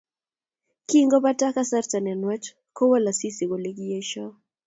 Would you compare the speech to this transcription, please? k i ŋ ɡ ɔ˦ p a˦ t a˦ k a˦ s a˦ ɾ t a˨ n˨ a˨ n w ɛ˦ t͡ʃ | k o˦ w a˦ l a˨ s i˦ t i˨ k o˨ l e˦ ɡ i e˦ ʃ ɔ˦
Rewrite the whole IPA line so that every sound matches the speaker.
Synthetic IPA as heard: k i ŋ ɡ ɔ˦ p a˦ t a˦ k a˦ s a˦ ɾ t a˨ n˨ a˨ n w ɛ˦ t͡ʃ | k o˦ w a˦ l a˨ s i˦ s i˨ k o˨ l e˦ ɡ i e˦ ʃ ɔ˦